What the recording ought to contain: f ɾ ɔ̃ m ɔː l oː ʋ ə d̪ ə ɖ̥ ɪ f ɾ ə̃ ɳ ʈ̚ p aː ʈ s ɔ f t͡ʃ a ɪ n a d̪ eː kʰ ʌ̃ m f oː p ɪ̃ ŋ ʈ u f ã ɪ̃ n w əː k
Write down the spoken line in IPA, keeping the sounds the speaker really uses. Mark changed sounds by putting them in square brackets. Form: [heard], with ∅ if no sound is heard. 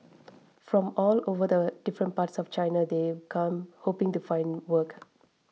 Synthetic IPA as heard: f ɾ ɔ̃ m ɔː l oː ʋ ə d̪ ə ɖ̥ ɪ f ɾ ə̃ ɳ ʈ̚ p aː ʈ s ɔ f t͡ʃ a ɪ n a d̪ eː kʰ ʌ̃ m [h] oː p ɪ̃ ŋ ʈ u f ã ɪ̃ n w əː k